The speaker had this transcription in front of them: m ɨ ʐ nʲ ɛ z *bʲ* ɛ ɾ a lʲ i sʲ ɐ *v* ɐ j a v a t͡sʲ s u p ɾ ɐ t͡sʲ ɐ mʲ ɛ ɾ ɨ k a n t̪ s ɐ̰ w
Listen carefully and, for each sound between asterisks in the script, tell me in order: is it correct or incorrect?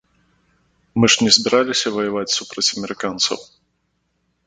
correct, correct

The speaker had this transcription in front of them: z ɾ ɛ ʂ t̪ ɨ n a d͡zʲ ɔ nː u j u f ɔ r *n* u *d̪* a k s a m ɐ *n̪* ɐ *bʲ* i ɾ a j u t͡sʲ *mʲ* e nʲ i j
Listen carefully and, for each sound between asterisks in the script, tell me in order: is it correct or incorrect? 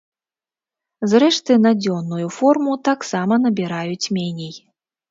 incorrect, incorrect, correct, correct, correct

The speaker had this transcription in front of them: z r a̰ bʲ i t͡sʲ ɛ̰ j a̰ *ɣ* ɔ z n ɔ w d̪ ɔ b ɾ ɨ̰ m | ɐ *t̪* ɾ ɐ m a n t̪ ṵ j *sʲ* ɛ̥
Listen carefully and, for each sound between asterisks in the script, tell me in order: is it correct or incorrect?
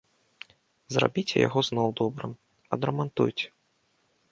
correct, incorrect, incorrect

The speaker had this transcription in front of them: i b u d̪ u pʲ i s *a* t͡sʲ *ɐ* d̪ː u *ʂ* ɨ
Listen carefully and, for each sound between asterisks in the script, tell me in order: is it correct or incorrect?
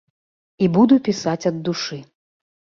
correct, correct, correct

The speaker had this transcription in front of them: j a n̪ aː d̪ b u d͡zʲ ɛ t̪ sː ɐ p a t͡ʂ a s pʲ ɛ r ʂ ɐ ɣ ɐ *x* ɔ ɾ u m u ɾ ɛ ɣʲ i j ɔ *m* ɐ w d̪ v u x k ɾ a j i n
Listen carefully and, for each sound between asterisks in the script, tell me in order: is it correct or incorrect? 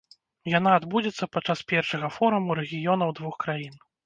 incorrect, incorrect

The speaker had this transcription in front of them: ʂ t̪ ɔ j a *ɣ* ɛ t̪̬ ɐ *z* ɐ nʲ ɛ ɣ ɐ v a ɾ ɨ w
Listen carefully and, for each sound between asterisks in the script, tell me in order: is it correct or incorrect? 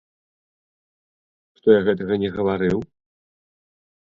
correct, incorrect

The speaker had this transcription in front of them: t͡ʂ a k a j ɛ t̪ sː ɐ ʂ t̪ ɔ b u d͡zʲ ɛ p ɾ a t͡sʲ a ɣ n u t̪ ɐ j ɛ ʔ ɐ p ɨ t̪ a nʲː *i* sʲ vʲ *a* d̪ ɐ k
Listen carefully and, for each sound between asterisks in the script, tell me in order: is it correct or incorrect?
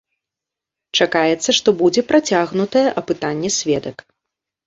incorrect, incorrect

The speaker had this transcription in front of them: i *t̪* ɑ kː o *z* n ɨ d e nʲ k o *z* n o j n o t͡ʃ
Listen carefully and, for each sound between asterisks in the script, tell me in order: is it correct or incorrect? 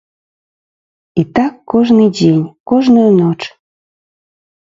correct, incorrect, incorrect

